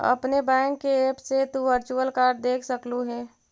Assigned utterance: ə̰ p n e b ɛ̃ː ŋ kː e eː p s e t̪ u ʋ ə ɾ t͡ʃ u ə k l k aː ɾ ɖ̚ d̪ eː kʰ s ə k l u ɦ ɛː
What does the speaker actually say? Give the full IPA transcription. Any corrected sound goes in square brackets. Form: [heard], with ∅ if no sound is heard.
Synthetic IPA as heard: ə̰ p n e b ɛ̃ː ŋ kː e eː p s e t̪ u ʋ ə ɾ t͡ʃ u ə [∅] l k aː ɾ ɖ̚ d̪ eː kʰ s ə k l u ɦ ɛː